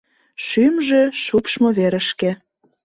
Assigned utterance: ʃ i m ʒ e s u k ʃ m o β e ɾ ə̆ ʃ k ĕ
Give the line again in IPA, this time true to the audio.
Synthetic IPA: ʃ y m ʒ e ʃ u p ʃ m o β e ɾ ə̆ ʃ k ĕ

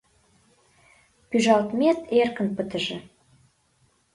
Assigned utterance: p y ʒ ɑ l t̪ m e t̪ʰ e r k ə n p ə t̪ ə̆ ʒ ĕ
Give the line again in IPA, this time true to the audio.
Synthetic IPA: p y ʒ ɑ l t̪ m e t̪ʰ e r k ə n p ə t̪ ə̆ ʒ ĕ

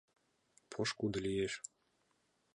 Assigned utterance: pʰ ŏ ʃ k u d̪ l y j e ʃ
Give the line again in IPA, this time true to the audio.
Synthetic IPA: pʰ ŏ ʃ k u d̪ l i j e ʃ

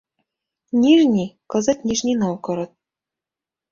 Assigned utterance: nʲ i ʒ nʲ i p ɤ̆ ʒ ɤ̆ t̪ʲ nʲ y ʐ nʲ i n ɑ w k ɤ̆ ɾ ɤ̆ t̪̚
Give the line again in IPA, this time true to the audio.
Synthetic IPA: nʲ i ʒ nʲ i k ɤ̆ z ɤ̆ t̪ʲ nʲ i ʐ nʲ i n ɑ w k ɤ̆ ɾ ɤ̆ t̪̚

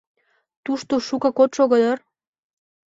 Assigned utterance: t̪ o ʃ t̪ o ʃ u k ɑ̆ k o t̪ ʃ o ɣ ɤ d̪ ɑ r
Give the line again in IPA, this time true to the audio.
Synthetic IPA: t̪ u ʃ t̪ o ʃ u k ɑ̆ k o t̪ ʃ o ɣ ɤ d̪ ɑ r

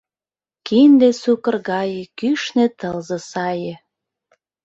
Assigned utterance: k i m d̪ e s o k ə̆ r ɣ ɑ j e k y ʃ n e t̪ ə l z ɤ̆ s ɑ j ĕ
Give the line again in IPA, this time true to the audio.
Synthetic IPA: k i n d̪ e s u k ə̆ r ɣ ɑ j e k y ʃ n e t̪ ə l z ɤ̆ s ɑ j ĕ

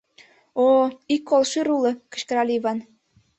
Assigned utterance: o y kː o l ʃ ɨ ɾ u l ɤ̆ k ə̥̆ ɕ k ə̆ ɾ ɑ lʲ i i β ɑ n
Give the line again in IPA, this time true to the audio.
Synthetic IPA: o i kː o l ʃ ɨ ɾ u l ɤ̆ k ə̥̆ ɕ k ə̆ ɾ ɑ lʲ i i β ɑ n

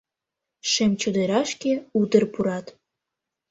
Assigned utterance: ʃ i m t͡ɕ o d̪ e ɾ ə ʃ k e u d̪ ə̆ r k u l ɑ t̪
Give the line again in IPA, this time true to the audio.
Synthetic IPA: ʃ e m t͡ɕ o d̪ e ɾ ɑ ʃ k e u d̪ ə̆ r p u ɾ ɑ t̪

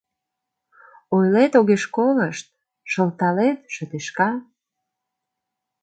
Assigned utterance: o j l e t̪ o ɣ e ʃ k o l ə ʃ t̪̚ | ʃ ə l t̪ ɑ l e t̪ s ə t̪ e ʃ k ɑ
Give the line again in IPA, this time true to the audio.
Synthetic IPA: o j l e t̪ o ɣ e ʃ k o l ə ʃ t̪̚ | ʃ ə l t̪ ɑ l e t̪ ʃ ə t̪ e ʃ k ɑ

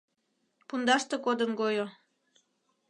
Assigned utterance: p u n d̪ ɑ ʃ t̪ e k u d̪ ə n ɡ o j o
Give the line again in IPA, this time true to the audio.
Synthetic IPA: p u n d̪ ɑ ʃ t̪ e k o d̪ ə n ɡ o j o

